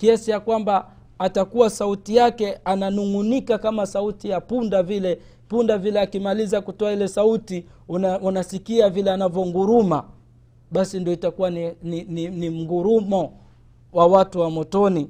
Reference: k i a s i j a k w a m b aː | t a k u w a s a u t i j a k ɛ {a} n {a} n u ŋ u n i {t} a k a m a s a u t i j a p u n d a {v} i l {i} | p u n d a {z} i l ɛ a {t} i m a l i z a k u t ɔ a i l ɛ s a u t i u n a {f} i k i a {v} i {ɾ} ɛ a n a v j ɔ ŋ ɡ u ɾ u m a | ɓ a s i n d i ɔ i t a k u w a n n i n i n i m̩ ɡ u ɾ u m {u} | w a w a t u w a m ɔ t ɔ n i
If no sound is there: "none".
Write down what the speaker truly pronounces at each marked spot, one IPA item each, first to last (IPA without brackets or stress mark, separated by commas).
a, a, k, v, ɛ, v, k, s, v, l, ɔ